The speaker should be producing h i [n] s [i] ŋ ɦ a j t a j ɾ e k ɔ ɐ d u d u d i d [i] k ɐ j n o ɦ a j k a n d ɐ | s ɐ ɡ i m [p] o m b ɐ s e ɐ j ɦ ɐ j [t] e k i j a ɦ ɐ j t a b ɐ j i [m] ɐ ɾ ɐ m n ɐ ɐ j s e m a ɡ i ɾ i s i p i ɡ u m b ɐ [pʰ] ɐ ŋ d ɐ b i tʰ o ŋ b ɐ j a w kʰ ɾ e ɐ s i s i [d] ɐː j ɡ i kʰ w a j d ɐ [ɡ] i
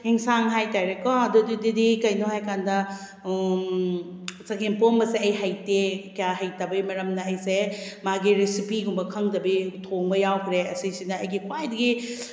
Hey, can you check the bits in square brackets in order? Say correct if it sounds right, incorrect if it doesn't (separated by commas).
incorrect, incorrect, correct, correct, correct, correct, incorrect, incorrect, correct